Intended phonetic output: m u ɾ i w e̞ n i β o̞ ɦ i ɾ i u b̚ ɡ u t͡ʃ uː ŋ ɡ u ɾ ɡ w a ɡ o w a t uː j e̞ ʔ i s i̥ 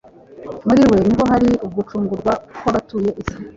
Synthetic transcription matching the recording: m u ɾ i w e̞ n i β o̞ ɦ a ɾ i u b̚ ɡ u t͡ʃ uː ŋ ɡ u ɾ ɡ w a k o β a t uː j e̞ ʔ i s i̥